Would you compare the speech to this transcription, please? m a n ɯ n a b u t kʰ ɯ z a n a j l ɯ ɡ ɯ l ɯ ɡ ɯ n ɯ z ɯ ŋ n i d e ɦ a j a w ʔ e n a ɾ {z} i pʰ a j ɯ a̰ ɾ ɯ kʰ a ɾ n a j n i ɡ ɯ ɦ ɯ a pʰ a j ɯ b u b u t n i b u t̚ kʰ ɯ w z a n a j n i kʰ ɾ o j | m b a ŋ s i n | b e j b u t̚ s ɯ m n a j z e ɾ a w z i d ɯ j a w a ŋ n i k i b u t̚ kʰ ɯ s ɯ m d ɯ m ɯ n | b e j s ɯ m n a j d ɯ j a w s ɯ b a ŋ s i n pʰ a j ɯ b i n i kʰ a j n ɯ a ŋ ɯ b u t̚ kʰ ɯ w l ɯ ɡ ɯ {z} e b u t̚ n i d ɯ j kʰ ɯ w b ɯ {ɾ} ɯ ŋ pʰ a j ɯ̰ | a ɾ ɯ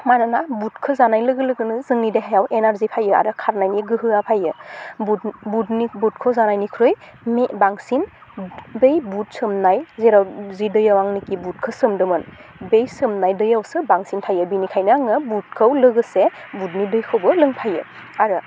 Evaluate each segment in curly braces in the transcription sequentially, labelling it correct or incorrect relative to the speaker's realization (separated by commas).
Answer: correct, incorrect, incorrect